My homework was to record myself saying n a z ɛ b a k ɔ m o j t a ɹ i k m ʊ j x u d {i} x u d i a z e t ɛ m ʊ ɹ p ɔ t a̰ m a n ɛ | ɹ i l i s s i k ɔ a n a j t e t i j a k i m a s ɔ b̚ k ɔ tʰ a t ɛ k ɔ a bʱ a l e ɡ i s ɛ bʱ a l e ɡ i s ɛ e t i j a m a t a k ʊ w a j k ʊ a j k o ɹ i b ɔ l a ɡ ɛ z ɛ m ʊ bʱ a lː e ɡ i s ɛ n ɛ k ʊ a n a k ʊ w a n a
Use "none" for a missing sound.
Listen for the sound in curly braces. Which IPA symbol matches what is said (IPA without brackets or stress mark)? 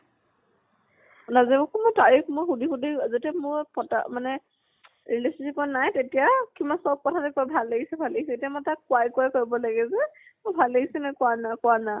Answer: i